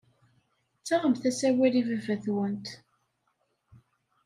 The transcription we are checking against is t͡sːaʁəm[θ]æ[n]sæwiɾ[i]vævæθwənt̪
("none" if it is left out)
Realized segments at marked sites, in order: θ, none, i

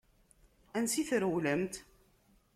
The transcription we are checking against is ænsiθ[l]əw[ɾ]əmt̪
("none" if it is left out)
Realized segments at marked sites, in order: ɾ, l

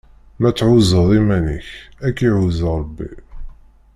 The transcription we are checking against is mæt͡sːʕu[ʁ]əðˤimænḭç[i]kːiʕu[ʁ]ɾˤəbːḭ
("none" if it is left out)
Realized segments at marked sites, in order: z, æ, z

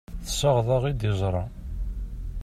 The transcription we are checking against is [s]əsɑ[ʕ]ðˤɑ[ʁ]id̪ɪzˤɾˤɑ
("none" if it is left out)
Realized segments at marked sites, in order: θ, ʁ, ʁ

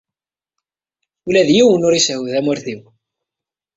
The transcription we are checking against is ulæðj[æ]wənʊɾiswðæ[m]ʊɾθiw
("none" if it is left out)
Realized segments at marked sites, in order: i, m

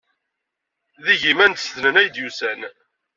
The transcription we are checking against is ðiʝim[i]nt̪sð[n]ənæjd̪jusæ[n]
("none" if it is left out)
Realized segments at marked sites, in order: æ, n, n

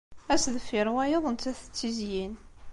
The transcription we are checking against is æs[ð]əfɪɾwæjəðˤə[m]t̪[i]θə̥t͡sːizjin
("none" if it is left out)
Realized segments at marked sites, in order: ð, n, æ

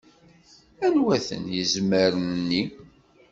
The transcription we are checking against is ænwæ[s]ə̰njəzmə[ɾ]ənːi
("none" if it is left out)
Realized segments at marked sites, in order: θ, ɾ

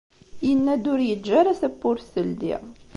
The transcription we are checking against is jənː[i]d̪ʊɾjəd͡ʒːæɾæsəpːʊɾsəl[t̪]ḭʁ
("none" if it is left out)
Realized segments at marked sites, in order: æ, d̪

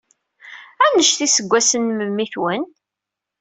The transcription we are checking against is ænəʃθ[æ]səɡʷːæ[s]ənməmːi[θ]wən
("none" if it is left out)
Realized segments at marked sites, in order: i, s, θ

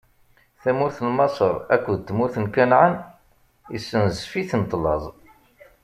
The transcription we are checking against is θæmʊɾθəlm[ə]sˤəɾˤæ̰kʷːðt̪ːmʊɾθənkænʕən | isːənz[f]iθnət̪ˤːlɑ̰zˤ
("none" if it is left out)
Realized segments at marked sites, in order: ɑ, f

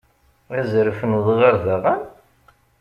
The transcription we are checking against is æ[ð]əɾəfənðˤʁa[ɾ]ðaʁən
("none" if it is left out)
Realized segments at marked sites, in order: z, ɾ

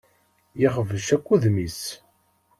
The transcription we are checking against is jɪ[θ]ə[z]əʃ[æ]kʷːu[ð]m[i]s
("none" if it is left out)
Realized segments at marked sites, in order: χ, v, æ, ð, i

